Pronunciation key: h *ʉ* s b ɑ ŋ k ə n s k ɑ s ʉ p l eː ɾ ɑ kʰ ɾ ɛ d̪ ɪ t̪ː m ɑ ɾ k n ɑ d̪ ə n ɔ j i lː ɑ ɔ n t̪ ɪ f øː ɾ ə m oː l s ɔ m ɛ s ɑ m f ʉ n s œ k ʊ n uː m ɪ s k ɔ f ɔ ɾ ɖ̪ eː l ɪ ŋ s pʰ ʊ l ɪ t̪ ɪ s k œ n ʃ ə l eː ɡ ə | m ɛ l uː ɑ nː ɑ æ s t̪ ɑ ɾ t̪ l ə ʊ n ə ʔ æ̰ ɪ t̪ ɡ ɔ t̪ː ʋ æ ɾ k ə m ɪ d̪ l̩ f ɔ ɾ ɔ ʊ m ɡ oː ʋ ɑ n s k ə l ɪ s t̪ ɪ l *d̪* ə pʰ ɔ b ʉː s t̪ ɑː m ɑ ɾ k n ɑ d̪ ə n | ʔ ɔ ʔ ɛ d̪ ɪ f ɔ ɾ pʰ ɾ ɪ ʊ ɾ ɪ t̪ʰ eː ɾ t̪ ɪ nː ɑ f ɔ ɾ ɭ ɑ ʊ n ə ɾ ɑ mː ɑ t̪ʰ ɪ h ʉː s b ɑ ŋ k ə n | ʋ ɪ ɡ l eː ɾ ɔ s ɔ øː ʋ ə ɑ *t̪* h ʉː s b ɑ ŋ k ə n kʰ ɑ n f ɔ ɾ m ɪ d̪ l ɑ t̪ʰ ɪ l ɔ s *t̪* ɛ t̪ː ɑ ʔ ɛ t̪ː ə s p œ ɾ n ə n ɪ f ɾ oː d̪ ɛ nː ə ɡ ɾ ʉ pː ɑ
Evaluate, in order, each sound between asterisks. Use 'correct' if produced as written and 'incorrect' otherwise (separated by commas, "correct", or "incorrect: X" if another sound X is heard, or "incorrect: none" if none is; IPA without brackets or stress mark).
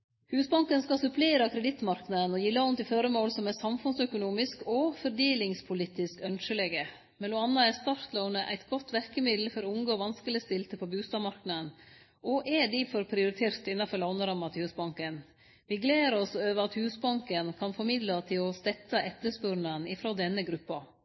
incorrect: ʉː, incorrect: t̪, correct, correct